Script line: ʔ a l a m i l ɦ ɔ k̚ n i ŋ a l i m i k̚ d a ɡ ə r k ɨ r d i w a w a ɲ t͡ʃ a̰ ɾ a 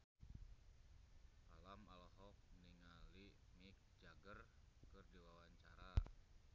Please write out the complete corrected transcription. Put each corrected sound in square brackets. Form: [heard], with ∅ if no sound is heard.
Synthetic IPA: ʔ a l a m [a] l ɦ ɔ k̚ n i ŋ a l i m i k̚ [d͡ʒ] a ɡ ə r k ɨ r d i w a w a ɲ t͡ʃ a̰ ɾ a